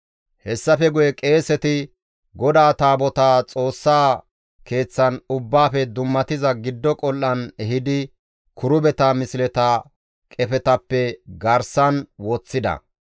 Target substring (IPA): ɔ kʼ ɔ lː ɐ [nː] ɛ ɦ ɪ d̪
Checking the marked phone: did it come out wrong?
yes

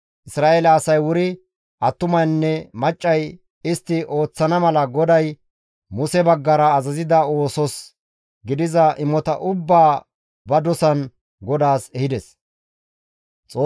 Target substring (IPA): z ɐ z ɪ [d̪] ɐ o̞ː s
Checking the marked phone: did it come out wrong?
no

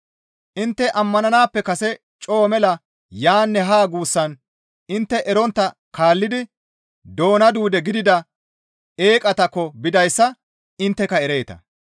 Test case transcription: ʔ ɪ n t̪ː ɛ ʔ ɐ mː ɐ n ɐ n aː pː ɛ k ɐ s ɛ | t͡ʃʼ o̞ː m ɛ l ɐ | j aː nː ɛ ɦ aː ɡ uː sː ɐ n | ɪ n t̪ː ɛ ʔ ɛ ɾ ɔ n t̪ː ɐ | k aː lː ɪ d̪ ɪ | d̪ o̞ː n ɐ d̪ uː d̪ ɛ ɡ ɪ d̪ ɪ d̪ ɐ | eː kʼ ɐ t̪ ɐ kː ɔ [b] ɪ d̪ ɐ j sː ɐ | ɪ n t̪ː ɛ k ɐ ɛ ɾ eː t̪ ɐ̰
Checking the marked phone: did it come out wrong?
no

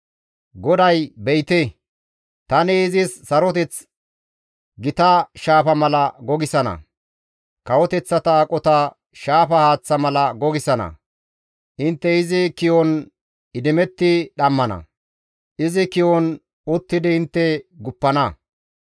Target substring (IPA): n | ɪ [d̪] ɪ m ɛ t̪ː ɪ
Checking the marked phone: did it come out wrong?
no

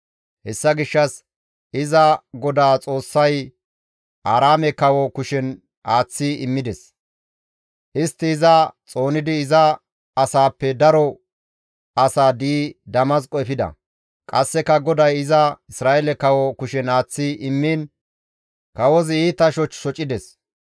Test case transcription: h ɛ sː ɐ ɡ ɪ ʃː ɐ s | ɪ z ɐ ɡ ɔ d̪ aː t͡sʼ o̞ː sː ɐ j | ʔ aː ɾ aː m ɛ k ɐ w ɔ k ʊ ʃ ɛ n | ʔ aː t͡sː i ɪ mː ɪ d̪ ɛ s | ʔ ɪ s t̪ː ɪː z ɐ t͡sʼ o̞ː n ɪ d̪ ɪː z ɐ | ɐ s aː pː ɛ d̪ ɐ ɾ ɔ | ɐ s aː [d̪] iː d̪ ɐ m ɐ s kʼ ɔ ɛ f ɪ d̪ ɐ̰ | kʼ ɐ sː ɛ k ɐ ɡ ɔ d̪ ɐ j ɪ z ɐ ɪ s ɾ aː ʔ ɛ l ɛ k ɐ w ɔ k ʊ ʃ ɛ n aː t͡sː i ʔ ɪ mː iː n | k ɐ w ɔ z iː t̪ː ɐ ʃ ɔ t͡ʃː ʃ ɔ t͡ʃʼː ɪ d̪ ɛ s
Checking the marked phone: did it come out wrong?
no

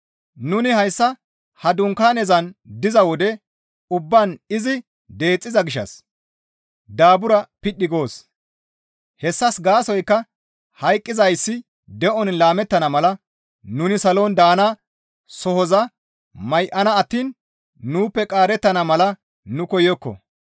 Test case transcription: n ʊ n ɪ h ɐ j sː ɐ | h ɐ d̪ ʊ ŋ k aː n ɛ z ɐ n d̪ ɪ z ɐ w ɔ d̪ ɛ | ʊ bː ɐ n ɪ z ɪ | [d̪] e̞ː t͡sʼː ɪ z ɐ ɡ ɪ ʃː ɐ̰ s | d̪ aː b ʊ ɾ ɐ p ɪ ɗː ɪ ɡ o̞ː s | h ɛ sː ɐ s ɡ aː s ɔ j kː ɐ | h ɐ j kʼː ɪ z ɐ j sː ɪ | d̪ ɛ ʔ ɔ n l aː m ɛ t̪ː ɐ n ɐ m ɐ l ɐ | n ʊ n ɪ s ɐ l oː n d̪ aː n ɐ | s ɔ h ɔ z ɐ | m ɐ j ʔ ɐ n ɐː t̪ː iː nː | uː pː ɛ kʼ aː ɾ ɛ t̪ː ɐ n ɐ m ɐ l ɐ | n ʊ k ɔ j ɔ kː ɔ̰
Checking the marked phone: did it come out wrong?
no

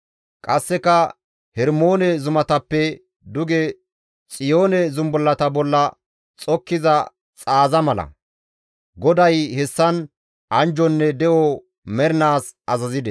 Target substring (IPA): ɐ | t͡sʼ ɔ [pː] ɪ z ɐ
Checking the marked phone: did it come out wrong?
yes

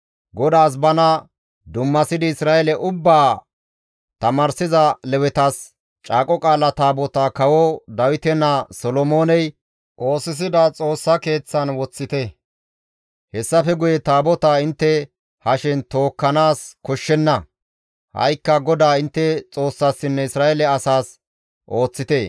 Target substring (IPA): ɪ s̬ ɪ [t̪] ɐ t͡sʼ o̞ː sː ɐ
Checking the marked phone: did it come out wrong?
yes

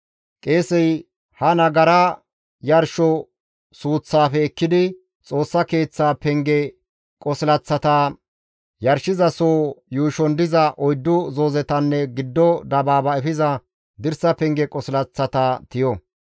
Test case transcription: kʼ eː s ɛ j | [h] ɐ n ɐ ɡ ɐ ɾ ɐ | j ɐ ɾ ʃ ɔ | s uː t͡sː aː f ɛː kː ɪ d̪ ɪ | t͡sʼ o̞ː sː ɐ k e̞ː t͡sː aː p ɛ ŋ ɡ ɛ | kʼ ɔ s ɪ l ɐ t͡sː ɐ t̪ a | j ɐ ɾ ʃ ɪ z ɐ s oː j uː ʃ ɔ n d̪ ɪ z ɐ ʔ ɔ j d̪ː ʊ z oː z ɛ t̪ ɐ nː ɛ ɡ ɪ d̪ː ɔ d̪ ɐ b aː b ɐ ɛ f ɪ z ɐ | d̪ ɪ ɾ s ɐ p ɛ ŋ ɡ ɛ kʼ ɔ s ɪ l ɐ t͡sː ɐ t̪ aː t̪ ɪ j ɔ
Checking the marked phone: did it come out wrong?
no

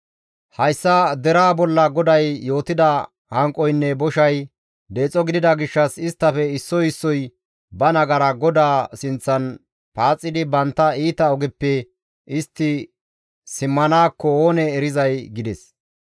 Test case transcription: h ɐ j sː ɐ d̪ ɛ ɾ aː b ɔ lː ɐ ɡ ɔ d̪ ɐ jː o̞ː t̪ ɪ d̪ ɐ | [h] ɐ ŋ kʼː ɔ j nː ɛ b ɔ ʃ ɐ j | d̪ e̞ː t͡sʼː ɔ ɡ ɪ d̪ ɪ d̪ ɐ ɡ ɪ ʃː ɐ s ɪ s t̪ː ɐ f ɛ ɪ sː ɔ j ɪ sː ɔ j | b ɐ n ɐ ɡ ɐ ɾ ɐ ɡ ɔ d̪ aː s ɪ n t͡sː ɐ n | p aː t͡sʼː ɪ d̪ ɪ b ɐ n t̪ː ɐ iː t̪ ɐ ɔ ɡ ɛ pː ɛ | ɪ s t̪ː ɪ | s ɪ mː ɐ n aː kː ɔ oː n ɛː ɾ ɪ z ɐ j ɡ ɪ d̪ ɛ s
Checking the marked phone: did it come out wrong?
no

